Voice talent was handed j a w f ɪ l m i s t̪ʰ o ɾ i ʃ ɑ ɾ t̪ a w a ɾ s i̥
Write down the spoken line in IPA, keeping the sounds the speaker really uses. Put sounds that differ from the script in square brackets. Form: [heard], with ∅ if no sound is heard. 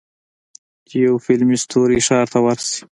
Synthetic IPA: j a w f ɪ l m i s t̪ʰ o ɾ i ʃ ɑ ɾ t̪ a w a ɾ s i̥